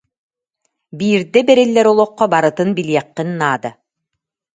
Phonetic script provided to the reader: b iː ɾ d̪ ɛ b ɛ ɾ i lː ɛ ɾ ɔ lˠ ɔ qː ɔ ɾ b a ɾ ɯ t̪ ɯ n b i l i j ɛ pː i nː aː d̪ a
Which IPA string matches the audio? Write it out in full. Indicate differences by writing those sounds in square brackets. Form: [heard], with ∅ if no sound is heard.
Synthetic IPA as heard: b iː ɾ d̪ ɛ b ɛ ɾ i lː ɛ ɾ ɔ lˠ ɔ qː ɔ [∅] b a ɾ ɯ t̪ ɯ n b i l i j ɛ [qː] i nː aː d̪ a